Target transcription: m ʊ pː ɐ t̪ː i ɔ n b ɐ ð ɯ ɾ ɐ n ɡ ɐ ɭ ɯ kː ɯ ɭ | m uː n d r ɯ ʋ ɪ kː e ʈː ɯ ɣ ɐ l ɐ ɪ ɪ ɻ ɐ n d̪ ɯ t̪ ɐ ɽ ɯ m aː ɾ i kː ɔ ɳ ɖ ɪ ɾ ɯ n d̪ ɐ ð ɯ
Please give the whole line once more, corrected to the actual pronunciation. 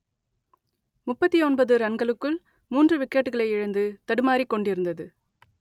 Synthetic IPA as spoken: m ʊ pː ɐ t̪ː i ɔ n b ɐ ð ɯ ɾ ɐ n ɡ ɐ ɭ ɯ kː ɯ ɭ | m uː n d r ɯ ʋ ɪ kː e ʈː ɯ ɣ ɐ ɭ ɐ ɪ ɪ ɻ ɐ n d̪ ɯ t̪ ɐ ɽ ɯ m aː ɾ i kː ɔ ɳ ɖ ɪ ɾ ɯ n d̪ ɐ ð ɯ